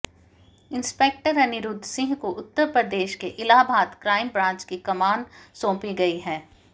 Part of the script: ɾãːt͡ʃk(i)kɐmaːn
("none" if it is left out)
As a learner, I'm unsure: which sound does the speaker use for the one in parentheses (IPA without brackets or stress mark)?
i